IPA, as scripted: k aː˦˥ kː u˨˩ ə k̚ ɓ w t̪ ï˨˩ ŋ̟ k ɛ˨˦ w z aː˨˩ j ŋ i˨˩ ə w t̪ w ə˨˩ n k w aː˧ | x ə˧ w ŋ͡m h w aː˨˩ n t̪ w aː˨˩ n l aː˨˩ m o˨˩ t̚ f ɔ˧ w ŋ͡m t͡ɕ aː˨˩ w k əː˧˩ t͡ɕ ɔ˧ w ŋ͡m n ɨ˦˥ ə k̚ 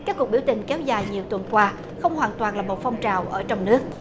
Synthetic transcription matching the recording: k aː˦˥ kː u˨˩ ə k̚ ɓ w t̪ ï˨˩ ŋ̟ k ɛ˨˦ w z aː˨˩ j ɲ i˨˩ ə w t̪ w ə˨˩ n k w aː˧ | x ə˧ w ŋ͡m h w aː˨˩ n t̪ w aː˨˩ n l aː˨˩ m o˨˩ t̚ f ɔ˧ w ŋ͡m t͡ɕ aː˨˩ w ʔ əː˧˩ t͡ɕ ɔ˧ w ŋ͡m n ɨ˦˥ ə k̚

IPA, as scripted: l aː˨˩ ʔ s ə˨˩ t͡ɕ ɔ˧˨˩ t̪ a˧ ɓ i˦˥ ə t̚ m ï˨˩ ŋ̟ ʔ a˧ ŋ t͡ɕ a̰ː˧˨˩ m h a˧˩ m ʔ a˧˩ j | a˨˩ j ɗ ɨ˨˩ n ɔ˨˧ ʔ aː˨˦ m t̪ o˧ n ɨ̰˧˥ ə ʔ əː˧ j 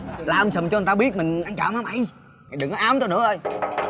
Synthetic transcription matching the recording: l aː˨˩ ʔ s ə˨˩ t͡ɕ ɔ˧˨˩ t̪ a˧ ɓ i˦˥ ə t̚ m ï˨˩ ŋ̟ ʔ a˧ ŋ t͡ɕ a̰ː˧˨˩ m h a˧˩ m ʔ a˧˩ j | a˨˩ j ɗ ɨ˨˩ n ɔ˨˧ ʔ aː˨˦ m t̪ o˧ n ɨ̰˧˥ ə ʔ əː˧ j

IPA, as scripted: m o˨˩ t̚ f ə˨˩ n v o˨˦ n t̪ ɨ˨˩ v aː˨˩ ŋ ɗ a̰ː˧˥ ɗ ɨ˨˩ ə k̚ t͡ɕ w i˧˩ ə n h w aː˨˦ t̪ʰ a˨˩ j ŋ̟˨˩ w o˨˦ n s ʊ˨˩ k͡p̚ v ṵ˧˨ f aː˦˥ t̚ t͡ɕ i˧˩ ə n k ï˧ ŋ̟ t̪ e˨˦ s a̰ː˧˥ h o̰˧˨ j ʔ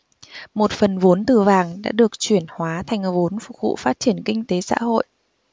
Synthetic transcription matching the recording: m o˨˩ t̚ f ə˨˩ n v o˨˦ n t̪ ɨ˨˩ v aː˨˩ ŋ ɗ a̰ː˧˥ ɗ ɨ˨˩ ə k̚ t͡ɕ w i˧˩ ə n h w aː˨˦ t̪ʰ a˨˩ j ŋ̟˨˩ v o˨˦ n f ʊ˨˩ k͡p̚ v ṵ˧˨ f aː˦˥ t̚ t͡ɕ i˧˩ ə n k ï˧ ŋ̟ t̪ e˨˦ s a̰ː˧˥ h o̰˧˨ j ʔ

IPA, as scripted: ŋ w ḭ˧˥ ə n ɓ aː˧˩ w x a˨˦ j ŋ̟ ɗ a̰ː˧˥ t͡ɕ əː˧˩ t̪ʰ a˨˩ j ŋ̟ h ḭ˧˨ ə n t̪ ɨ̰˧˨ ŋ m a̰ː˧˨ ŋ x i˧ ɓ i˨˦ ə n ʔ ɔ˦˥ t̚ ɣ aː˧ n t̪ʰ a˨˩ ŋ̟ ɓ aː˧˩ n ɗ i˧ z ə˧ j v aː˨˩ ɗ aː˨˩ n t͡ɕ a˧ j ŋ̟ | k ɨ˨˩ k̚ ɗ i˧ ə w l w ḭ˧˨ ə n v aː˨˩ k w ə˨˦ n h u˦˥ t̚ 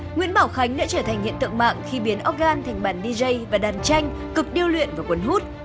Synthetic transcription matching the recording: ŋ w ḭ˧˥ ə n ɓ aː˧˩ w x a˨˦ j ŋ̟ ɗ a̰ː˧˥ t͡ɕ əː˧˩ t̪ʰ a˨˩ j ŋ̟ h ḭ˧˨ ə n t̪ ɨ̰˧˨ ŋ m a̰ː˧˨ ŋ x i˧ ɓ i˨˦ ə n ʔ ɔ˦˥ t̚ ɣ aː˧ n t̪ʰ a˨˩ ŋ̟ ɓ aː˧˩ n ɗ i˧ z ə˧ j v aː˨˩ ɗ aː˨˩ n t͡ɕ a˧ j ŋ̟ | k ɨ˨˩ k̚ ɗ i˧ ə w l w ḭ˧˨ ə n v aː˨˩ k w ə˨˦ n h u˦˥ t̚

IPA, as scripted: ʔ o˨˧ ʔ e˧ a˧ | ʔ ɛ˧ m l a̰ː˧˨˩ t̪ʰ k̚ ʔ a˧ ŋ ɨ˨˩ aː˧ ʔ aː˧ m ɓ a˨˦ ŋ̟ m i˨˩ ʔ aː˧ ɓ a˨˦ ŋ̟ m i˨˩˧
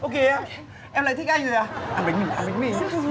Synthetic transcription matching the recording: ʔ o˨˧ k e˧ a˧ | ʔ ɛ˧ m l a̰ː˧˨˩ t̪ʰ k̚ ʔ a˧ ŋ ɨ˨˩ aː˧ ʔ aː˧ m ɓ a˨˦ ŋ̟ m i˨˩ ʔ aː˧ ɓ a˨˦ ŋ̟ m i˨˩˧

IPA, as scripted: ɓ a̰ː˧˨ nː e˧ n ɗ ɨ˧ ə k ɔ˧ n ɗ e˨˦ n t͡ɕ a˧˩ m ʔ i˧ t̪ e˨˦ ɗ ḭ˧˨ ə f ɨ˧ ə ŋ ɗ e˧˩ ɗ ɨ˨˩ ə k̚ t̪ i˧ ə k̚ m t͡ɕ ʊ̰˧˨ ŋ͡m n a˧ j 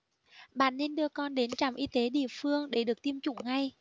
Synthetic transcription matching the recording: ɓ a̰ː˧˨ nː e˧ n ɗ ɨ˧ ə k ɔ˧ n ɗ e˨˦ n t͡ɕ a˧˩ m ʔ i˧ t̪ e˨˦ ɗ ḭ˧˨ ə f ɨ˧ ə ŋ ɗ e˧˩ ɗ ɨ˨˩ ə k̚ t̪ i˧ ə m t͡ɕ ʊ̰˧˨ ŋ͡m ŋ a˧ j

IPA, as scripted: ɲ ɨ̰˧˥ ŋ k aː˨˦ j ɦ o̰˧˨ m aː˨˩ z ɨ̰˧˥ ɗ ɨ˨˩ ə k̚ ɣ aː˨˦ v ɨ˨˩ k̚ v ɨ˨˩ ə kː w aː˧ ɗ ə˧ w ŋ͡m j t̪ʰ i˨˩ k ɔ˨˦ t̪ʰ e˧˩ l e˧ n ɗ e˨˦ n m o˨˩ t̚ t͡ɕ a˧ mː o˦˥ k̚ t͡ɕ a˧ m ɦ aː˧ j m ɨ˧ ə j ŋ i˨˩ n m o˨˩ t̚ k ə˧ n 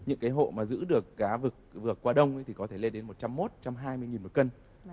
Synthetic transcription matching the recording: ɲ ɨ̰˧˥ ŋ k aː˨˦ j ɦ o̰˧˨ m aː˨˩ z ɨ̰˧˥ ɗ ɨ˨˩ ə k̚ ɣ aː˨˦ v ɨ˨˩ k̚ v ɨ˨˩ ə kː w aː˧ ɗ ə˧ w ŋ͡m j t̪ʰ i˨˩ k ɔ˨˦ t̪ʰ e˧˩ l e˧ n ɗ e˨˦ n m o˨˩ t̚ t͡ɕ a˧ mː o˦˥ t̚ t͡ɕ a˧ m ɦ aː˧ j m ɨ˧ ə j ŋ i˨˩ n m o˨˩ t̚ k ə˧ n

